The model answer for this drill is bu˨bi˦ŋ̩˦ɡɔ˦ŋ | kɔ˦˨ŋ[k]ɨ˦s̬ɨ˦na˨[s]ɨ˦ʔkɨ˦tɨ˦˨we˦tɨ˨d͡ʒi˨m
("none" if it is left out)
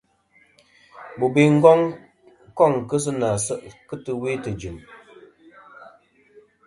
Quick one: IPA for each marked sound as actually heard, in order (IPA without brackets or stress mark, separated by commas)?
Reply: k, s